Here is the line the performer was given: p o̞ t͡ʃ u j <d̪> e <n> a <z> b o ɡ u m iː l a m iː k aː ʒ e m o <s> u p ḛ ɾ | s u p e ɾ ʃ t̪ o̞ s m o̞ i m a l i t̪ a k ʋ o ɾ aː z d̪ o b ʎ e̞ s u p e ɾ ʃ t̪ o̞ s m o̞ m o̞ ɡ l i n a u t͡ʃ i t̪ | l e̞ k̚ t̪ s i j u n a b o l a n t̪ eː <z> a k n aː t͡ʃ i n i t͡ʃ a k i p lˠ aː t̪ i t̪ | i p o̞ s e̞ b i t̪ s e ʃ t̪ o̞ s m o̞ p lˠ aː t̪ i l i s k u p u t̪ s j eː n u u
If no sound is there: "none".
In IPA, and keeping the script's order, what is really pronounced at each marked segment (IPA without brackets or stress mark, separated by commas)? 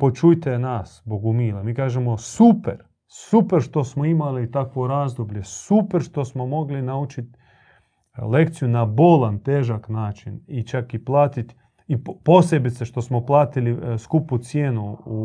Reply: t̪, n, s, s, ʒ